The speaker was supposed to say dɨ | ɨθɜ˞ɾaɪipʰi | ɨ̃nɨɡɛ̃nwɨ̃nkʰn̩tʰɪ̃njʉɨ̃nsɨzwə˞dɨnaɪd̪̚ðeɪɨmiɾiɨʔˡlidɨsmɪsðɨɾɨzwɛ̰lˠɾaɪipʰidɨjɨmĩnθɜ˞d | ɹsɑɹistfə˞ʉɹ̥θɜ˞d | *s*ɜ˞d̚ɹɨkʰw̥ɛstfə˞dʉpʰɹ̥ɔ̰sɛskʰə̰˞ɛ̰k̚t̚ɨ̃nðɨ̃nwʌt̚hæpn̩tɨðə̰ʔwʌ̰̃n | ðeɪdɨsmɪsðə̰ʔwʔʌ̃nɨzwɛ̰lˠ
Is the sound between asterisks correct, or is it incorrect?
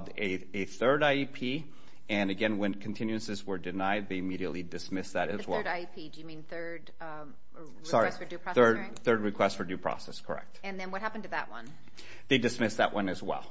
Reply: incorrect